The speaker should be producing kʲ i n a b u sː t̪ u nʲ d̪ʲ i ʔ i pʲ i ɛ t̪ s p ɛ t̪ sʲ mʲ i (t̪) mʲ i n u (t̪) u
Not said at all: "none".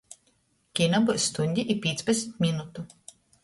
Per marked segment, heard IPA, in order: t̪, t̪

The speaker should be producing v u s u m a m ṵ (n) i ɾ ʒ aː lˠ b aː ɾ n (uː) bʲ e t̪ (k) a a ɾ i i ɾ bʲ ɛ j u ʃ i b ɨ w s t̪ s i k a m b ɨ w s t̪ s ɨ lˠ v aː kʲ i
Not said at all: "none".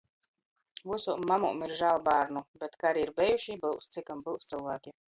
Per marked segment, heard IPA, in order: m, u, k

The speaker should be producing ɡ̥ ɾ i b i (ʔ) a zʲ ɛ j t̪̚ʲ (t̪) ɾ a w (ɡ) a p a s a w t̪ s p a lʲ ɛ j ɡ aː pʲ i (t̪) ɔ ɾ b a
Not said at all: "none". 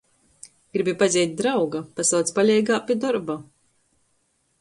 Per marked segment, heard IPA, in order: p, d̪, ɡ, d̪

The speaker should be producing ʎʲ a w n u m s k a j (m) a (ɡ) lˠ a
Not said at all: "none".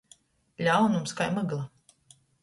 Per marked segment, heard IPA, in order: m, ɡ

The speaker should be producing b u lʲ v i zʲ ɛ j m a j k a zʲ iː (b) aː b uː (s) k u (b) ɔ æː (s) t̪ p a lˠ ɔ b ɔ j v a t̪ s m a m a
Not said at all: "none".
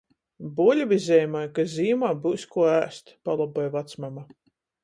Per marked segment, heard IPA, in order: m, s, none, s

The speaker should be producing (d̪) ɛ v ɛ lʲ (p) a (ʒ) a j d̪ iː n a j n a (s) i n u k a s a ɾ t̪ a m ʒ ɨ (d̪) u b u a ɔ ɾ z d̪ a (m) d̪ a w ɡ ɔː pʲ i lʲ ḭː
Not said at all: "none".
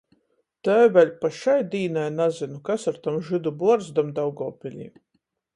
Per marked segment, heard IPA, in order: t̪, p, ʃ, z, d̪, m

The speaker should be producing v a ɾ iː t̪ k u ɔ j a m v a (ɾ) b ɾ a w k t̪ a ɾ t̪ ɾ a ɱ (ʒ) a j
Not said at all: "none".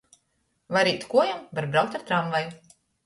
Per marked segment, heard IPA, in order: ɾ, v

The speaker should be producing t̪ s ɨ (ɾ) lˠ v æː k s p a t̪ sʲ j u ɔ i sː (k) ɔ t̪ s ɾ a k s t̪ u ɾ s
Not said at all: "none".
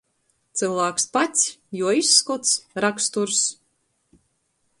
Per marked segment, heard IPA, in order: none, k

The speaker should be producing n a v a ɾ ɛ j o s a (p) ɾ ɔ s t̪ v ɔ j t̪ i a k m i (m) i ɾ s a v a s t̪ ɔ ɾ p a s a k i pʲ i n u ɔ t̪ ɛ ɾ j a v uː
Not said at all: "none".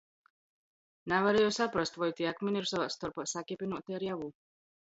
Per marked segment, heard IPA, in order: p, n

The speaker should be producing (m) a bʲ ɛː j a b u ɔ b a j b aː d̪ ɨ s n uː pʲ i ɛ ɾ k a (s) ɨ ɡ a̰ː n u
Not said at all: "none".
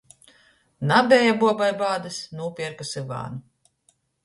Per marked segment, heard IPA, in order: n, s

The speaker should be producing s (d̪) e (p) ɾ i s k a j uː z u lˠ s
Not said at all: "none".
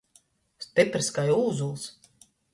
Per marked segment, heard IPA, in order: t̪, p

